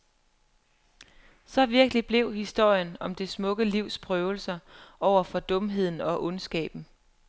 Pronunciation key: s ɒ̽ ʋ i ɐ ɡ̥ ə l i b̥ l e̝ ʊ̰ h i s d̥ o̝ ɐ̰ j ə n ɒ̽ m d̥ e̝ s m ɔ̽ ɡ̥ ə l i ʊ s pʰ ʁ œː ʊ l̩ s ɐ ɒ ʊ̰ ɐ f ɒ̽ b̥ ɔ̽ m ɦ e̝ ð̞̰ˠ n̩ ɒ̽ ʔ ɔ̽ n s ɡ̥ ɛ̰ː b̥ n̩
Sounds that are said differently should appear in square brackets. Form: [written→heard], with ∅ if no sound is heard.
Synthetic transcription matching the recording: s ɒ̽ ʋ i ɐ ɡ̥ ə l i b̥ l e̝ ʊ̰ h i s d̥ o̝ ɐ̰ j ə n ɒ̽ m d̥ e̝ s m ɔ̽ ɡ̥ ə l i ʊ s pʰ ʁ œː ʊ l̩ s ɐ ɒ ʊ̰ ɐ f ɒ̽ [b̥→d̥] ɔ̽ m ɦ e̝ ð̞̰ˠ n̩ ɒ̽ ʔ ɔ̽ n s ɡ̥ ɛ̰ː b̥ n̩